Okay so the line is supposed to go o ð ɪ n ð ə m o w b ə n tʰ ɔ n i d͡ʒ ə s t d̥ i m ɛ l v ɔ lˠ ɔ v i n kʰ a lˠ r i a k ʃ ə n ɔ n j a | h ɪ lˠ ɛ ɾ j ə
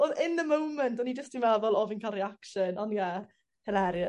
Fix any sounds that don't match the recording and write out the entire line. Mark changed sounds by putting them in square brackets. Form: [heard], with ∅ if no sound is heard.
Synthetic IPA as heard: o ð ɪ n ð ə m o w [m] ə n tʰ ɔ n i d͡ʒ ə s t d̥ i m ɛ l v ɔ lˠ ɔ v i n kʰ a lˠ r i a k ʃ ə n ɔ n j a | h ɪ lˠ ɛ ɾ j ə